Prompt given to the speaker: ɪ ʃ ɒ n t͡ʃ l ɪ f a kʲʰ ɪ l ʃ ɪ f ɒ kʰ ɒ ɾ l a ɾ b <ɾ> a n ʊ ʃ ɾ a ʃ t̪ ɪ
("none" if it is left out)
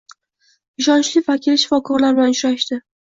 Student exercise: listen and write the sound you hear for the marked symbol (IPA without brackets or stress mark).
l